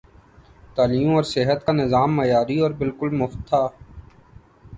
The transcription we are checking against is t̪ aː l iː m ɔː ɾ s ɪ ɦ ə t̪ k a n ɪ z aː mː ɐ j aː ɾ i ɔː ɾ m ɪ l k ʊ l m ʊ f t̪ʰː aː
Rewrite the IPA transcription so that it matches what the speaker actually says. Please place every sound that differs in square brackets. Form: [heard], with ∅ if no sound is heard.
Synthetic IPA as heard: t̪ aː l iː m ɔː ɾ s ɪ ɦ ə t̪ k a n ɪ z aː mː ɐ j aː ɾ i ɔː ɾ [b] ɪ l k ʊ l m ʊ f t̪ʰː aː